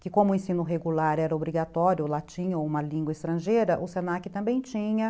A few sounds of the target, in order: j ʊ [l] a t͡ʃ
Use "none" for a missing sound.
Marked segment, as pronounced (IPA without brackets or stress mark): l